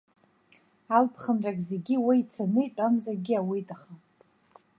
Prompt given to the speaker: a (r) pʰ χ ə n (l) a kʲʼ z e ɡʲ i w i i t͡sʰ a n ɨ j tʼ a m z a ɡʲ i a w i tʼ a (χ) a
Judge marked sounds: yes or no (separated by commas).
no, no, yes